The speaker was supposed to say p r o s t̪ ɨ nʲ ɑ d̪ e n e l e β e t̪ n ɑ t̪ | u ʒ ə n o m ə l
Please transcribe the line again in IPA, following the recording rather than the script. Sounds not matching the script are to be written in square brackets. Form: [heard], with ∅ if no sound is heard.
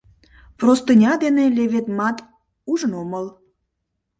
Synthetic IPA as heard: p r o s t̪ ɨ nʲ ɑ d̪ e n e l e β e t̪ [m] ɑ t̪ | u ʒ ə n o m ə l